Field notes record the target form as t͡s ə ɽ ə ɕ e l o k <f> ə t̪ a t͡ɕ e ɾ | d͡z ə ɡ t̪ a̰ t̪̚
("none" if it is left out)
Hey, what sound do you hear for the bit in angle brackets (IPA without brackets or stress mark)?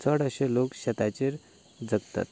ɕ